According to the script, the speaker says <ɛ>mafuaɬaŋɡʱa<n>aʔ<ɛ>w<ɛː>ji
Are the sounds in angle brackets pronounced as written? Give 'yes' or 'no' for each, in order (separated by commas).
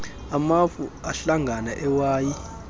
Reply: no, yes, yes, no